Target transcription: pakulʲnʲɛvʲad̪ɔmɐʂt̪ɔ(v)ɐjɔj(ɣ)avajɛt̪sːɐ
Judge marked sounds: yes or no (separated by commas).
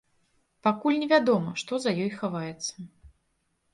no, no